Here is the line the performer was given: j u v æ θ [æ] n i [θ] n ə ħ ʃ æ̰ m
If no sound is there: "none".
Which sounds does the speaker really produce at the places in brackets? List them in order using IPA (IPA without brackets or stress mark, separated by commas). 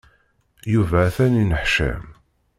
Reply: æ, none